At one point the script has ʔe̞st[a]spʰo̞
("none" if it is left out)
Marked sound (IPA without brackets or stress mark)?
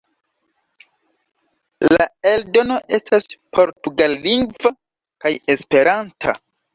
a